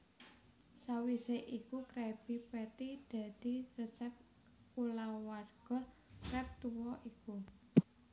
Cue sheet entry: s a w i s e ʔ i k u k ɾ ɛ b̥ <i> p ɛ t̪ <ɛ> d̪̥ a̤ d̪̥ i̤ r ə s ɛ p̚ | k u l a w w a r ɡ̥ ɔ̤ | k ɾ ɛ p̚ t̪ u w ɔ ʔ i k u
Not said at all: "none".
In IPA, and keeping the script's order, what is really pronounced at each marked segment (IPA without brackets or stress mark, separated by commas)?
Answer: i, i